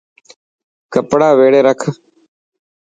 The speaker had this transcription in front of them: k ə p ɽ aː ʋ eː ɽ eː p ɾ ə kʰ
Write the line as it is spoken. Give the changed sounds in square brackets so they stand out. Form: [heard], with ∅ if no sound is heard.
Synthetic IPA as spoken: k ə p ɽ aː ʋ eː ɽ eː [∅] ɾ ə kʰ